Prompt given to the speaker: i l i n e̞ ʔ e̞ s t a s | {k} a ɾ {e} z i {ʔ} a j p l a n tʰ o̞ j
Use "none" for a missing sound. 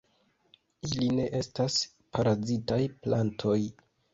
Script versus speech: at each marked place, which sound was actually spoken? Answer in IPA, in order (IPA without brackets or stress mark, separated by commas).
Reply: p, a, t